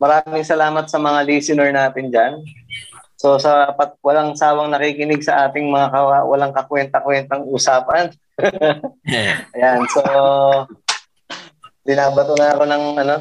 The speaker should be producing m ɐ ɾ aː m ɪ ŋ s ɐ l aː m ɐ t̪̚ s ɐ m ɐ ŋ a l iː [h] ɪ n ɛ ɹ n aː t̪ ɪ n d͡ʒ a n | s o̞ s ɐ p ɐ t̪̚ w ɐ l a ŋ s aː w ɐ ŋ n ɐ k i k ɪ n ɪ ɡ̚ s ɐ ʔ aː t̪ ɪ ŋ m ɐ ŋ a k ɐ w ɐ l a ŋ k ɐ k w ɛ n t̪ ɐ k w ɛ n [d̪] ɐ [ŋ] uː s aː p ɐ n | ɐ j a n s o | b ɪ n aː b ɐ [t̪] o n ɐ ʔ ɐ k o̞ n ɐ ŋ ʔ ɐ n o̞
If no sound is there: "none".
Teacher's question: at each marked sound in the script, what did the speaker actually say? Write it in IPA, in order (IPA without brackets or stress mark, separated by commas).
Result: s, t̪, ŋ, t̪